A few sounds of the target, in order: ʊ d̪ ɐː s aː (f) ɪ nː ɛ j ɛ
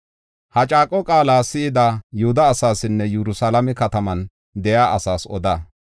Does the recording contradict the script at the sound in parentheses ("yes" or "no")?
yes